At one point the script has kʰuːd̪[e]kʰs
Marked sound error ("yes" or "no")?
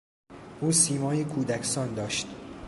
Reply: yes